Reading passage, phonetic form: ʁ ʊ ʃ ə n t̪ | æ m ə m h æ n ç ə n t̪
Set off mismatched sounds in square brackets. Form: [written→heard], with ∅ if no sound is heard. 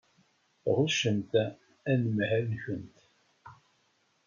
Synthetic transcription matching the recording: ʁ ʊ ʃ ə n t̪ | æ [m→n] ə m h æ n ç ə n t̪